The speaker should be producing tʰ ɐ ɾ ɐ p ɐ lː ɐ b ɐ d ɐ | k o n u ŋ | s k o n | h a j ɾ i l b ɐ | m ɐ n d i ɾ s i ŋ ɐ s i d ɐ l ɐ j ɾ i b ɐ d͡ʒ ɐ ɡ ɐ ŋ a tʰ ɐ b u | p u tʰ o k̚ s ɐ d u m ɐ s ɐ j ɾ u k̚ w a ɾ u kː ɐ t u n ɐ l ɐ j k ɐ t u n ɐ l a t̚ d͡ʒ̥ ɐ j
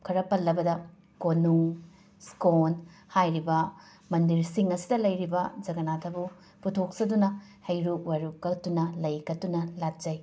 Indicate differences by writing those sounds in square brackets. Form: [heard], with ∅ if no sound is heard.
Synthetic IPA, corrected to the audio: [kʰ] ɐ ɾ ɐ p ɐ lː ɐ b ɐ d ɐ | k o n u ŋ | s k o n | h a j ɾ i [∅] b ɐ | m ɐ n d i ɾ s i ŋ ɐ s i d ɐ l ɐ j ɾ i b ɐ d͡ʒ ɐ ɡ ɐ [n] a tʰ ɐ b u | p u tʰ o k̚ s ɐ d u [n] ɐ [h] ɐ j ɾ u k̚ w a ɾ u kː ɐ t u n ɐ l ɐ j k ɐ t u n ɐ l a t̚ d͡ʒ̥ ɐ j

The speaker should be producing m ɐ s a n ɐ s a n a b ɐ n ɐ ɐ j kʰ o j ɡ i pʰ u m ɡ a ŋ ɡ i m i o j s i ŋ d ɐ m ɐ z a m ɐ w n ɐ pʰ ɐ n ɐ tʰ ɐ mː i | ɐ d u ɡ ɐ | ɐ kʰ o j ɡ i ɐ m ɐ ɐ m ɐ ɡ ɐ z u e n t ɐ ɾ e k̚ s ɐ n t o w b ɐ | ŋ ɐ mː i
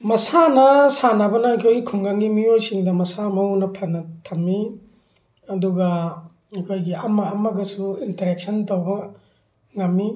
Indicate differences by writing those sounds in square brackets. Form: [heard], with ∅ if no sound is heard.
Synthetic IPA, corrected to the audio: m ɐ s a n ɐ s a n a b ɐ n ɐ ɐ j kʰ o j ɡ i [kʰ] u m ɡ a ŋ ɡ i m i o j s i ŋ d ɐ m ɐ [s] a m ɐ w n ɐ pʰ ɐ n ɐ tʰ ɐ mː i | ɐ d u ɡ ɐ | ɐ kʰ o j ɡ i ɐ m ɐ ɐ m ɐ ɡ ɐ [s] u [i] n t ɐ ɾ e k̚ s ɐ n t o w b ɐ | ŋ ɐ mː i

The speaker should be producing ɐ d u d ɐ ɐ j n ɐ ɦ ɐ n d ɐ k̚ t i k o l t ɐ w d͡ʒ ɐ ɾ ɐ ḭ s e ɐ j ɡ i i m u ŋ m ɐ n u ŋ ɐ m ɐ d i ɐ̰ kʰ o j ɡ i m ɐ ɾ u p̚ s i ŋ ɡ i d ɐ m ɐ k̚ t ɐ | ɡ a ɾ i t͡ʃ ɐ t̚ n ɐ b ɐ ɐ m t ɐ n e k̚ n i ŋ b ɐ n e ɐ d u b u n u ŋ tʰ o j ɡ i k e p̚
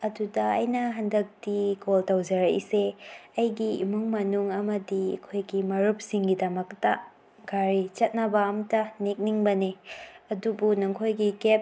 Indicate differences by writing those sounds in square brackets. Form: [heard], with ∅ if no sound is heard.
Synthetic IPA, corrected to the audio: ɐ d u d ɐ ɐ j n ɐ ɦ ɐ n d ɐ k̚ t i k o l t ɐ w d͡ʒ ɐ ɾ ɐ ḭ s e ɐ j ɡ i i m u ŋ m ɐ n u ŋ ɐ m ɐ d i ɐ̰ kʰ o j ɡ i m ɐ ɾ u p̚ s i ŋ ɡ i d ɐ m ɐ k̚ t ɐ | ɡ a ɾ i t͡ʃ ɐ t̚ n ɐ b ɐ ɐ m t ɐ n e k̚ n i ŋ b ɐ n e ɐ d u b u n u ŋ [kʰ] o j ɡ i k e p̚

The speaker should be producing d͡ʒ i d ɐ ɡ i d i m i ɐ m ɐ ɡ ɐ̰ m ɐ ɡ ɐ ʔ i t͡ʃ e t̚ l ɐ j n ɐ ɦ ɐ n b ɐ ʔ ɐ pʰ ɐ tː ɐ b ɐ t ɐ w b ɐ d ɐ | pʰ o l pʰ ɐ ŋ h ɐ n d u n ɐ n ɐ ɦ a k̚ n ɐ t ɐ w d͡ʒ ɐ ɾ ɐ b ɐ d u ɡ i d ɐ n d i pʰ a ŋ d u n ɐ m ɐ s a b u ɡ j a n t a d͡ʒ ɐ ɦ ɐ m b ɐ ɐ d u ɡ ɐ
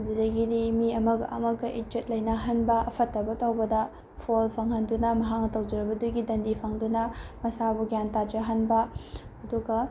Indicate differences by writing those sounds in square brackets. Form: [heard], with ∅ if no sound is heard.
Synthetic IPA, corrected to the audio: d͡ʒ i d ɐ ɡ i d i m i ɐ m ɐ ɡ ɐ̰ m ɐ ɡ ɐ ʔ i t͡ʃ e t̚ l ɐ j n ɐ ɦ ɐ n b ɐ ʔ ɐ pʰ ɐ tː ɐ b ɐ t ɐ w b ɐ d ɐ | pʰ o l pʰ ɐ ŋ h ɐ n d u n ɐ [m] ɐ ɦ a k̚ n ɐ t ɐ w d͡ʒ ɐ ɾ ɐ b ɐ d u ɡ i d ɐ n d i pʰ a ŋ d u n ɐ m ɐ s a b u ɡ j a n t a d͡ʒ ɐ ɦ ɐ [n] b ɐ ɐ d u ɡ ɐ

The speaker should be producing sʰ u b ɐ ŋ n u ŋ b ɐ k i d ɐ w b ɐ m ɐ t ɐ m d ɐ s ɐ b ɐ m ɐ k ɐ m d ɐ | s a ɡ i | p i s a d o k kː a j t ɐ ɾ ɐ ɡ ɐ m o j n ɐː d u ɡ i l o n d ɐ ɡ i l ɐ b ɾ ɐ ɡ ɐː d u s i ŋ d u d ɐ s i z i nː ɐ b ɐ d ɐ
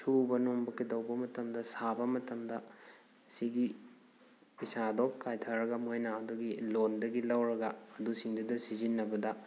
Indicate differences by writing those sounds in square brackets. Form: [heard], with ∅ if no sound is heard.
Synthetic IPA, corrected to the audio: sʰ u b ɐ [∅] n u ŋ b ɐ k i d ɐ w b ɐ m ɐ t ɐ m d ɐ s [a] b ɐ m ɐ [t] ɐ m d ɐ | s [i] ɡ i | p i s a d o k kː a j [tʰ] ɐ ɾ ɐ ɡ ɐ m o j n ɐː d u ɡ i l o n d ɐ ɡ i l ɐ [w] ɾ ɐ ɡ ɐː d u s i ŋ d u d ɐ s i z i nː ɐ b ɐ d ɐ

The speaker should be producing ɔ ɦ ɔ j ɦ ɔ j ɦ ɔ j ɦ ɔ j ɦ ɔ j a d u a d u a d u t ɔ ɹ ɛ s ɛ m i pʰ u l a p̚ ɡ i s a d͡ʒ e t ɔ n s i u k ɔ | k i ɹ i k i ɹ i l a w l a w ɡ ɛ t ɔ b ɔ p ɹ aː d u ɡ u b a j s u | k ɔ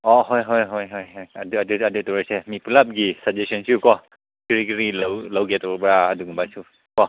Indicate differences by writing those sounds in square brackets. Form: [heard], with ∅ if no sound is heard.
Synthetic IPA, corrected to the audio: ɔ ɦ ɔ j ɦ ɔ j ɦ ɔ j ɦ ɔ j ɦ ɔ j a d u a d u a d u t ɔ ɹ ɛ s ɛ m i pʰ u l a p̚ ɡ i s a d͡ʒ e [s] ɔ n s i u k ɔ | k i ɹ i k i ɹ i l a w l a w ɡ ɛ t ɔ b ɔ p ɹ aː d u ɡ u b a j s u | k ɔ

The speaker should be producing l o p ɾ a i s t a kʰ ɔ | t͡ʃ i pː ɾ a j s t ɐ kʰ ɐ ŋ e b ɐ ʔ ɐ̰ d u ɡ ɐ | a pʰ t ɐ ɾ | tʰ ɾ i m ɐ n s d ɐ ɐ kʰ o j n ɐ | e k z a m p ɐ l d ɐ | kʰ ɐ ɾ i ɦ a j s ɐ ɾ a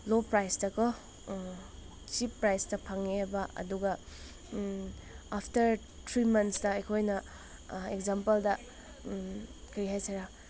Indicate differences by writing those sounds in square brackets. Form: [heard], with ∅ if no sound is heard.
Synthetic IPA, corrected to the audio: l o p ɾ a [j] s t [ɐ] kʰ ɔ | t͡ʃ i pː ɾ a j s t ɐ [pʰ] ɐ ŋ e b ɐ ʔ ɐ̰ d u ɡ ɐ | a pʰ t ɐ ɾ | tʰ ɾ i m ɐ n s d ɐ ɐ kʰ o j n ɐ | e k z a m p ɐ l d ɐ | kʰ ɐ ɾ i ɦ a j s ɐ ɾ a

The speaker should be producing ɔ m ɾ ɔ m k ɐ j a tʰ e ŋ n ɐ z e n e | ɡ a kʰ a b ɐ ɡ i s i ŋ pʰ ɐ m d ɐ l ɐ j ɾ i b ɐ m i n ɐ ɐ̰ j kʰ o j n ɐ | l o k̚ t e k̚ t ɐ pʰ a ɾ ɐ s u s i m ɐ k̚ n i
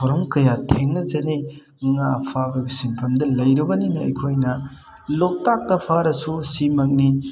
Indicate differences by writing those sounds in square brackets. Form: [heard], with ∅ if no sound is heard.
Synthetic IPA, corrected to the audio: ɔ [∅] ɾ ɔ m k ɐ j a tʰ e ŋ n ɐ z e n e | [ŋ] a [pʰ] a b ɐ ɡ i s i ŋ pʰ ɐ m d ɐ l ɐ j ɾ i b ɐ [n] i n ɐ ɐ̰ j kʰ o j n ɐ | l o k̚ t [a] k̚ t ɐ pʰ a ɾ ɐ s u s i m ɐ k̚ n i

